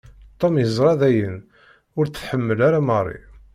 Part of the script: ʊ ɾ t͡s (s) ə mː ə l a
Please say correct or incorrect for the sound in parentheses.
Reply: incorrect